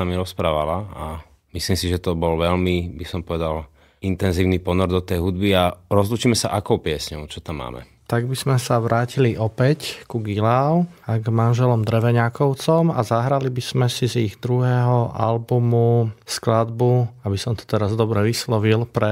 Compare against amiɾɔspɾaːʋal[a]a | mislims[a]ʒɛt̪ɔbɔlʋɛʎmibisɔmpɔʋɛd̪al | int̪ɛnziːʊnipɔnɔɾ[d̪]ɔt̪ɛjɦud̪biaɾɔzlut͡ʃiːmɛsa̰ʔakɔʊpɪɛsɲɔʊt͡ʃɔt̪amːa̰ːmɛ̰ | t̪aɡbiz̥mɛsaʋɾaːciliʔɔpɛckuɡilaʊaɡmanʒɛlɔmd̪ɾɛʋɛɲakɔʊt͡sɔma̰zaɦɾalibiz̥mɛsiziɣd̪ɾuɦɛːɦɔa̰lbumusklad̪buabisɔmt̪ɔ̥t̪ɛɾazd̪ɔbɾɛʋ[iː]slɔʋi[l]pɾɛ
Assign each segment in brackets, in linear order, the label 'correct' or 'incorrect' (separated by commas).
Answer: correct, incorrect, correct, incorrect, correct